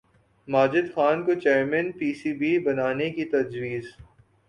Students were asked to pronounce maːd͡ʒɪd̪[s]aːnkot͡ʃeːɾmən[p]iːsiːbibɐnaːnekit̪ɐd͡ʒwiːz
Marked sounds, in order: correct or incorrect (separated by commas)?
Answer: incorrect, correct